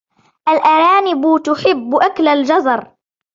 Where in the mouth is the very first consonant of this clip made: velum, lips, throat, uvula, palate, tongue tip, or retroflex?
throat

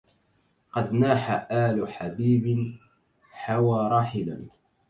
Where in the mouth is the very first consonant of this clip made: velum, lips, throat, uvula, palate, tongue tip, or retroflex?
uvula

